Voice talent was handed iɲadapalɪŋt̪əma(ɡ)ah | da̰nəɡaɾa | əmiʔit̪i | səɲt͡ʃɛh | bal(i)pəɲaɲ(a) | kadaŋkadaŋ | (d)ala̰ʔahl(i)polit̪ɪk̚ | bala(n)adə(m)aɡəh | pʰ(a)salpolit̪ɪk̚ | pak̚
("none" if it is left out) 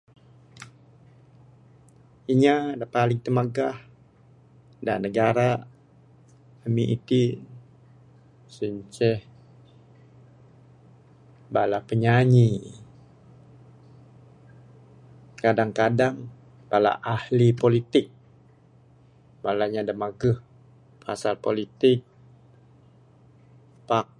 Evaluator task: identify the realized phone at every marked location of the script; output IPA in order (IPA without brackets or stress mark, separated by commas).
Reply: ɡ, a, i, b, i, ɲ, m, a